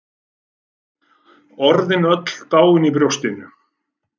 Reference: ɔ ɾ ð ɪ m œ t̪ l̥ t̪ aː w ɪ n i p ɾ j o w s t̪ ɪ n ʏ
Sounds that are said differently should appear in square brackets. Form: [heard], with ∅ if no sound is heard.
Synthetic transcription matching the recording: ɔ ɾ ð ɪ [n] œ t̪ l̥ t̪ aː w ɪ n i p ɾ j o w s t̪ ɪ n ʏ